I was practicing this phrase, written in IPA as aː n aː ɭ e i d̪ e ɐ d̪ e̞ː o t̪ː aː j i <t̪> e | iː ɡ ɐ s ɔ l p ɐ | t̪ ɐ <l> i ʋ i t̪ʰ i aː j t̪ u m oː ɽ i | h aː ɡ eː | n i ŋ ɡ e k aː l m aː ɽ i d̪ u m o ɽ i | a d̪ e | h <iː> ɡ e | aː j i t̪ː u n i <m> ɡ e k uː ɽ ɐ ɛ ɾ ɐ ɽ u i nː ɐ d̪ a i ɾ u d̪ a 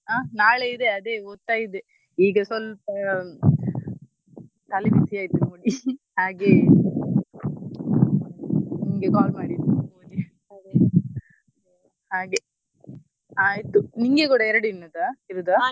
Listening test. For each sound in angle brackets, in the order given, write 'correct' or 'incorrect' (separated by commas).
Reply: incorrect, correct, incorrect, incorrect